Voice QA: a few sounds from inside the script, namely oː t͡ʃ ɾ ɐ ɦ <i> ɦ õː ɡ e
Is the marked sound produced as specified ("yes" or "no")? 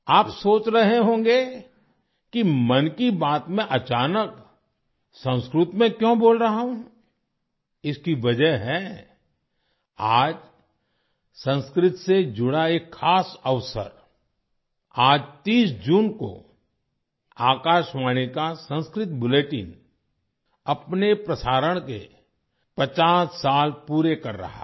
no